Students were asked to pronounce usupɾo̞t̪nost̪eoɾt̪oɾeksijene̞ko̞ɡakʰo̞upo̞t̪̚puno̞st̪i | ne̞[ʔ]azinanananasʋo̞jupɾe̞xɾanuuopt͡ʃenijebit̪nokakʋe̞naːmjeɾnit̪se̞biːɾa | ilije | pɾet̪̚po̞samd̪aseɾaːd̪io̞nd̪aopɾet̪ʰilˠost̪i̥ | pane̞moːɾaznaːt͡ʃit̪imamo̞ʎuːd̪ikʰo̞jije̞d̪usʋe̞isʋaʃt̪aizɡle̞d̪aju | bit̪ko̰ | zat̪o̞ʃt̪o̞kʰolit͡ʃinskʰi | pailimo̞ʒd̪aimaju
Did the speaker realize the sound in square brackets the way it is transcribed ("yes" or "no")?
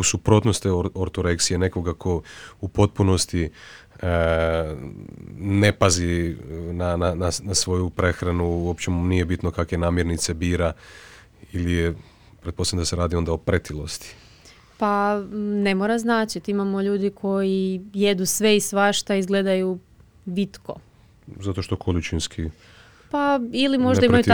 no